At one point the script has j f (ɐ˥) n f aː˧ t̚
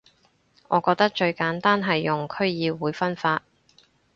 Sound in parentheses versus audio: correct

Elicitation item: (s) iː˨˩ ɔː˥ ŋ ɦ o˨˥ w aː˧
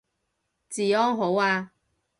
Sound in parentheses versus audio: incorrect: t͡s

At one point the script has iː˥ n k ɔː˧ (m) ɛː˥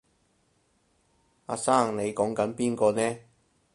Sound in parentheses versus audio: incorrect: n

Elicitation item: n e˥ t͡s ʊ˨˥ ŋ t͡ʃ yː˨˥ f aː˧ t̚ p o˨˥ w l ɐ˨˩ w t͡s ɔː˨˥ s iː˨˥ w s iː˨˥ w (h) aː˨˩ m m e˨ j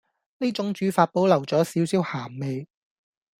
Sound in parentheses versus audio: correct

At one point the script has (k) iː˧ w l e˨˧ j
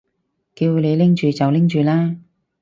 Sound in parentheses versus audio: correct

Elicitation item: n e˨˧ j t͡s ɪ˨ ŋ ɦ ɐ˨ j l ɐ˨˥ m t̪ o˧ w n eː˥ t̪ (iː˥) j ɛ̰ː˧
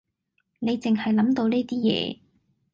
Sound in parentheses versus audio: correct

